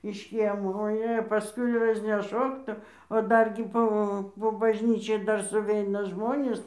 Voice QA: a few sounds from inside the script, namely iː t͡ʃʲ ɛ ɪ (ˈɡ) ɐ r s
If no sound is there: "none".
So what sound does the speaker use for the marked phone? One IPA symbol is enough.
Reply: d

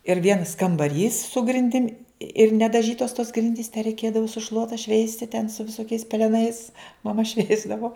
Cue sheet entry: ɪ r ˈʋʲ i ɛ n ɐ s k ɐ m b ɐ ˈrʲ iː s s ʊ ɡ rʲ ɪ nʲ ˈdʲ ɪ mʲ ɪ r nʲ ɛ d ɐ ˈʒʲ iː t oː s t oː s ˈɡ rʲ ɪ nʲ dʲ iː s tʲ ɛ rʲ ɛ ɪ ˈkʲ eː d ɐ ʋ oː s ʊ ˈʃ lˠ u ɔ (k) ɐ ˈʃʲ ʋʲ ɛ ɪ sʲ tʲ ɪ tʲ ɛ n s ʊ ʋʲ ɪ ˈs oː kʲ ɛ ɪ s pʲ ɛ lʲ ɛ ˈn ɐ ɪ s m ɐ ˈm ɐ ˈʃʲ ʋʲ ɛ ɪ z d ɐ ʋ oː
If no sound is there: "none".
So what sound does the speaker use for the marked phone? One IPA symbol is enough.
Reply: t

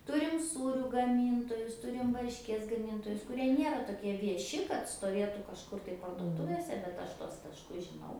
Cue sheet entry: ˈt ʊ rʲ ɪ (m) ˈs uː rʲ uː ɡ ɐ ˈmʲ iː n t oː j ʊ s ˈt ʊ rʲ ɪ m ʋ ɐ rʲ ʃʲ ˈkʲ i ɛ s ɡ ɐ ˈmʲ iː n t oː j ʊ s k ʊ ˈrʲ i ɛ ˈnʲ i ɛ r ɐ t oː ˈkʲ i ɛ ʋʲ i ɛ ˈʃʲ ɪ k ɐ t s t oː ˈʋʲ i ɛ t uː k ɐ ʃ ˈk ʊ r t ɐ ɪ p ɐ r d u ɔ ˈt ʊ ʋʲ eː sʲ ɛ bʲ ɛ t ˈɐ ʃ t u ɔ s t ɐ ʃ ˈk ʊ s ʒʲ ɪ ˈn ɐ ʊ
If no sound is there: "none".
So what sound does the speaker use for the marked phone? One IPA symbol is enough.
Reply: m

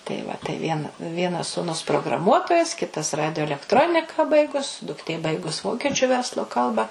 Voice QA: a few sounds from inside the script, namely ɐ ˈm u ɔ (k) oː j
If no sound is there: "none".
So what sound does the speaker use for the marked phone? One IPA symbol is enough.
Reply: t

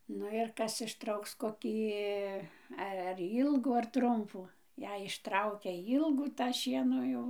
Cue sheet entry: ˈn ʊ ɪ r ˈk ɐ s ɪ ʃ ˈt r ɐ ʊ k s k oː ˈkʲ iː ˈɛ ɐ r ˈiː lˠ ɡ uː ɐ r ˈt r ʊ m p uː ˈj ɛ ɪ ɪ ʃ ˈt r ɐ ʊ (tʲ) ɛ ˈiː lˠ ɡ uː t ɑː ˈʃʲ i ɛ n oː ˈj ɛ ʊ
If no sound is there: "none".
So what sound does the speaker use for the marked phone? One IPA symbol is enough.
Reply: kʲ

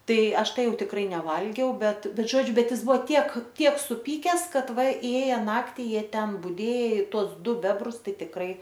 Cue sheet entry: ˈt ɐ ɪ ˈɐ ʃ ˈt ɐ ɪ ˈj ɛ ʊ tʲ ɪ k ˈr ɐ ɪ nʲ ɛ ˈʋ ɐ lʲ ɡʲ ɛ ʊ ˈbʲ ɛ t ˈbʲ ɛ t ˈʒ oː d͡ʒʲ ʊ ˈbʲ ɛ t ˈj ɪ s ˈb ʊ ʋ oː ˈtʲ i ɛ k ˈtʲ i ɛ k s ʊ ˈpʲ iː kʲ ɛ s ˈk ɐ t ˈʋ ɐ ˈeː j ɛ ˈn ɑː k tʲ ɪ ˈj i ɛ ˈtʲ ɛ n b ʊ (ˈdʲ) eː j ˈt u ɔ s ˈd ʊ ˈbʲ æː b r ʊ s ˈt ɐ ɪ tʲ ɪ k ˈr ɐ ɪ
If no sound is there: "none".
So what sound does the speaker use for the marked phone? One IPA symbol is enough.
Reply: dʲ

